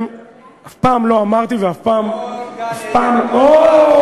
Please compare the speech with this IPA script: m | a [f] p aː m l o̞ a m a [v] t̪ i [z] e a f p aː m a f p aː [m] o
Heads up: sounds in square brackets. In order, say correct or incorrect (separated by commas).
correct, incorrect, incorrect, correct